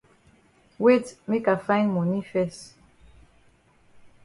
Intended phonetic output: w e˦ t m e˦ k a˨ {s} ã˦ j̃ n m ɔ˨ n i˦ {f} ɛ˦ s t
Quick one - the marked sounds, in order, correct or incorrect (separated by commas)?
incorrect, correct